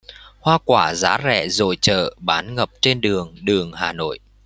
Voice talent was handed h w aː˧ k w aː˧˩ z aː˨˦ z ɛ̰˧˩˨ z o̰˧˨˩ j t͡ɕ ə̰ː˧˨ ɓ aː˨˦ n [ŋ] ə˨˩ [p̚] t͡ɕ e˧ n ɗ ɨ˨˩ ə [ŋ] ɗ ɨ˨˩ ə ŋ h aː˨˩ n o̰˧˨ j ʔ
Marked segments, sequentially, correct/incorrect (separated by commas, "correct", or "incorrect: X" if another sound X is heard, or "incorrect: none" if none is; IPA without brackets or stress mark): correct, correct, correct